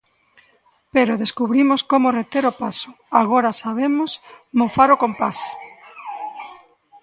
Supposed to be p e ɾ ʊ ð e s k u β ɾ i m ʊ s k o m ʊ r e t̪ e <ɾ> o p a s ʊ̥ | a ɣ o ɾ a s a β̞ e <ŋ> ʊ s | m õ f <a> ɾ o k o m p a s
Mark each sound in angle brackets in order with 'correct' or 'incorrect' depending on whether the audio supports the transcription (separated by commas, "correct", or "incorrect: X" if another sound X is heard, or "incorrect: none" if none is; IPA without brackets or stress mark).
correct, incorrect: m, correct